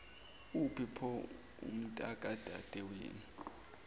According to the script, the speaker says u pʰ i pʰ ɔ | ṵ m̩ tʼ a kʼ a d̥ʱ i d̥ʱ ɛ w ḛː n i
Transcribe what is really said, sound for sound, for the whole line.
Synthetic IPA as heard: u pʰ i pʰ ɔ | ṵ m̩ tʼ a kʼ a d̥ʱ a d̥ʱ ɛ w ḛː n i